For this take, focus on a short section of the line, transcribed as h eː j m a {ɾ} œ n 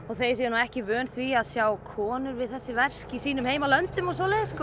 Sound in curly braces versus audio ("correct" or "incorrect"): incorrect